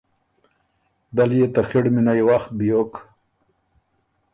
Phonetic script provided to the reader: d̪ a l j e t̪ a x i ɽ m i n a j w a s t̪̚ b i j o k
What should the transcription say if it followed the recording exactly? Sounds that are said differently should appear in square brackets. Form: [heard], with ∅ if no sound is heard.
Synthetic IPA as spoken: d̪ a l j e t̪ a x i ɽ m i n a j w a [x] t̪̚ b i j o k

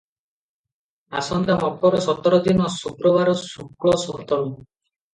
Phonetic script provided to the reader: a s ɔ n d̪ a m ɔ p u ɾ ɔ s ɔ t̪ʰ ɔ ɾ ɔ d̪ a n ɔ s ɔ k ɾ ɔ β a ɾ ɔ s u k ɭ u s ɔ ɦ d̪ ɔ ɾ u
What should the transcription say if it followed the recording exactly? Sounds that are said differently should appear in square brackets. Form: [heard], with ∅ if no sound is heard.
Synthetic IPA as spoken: a s ɔ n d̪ a m ɔ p [ɔ] ɾ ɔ s ɔ [t̪] ɔ ɾ ɔ d̪ [i] n ɔ s [u] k ɾ ɔ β a ɾ ɔ s u k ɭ [ɔ] s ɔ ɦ [t̪] ɔ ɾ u

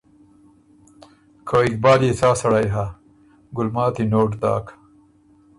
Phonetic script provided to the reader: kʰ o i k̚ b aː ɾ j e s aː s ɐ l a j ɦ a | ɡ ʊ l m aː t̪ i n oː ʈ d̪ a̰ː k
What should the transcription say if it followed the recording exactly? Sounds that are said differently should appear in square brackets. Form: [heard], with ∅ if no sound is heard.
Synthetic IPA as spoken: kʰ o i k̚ b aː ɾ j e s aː s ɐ [ɽ] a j ɦ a | ɡ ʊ l m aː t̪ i n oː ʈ d̪ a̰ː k

